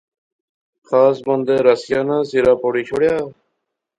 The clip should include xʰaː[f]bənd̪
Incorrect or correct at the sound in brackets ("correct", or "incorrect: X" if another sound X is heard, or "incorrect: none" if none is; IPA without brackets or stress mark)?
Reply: incorrect: s